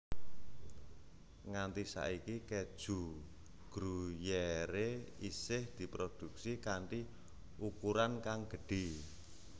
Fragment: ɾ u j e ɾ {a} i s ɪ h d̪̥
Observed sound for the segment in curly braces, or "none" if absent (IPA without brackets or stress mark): e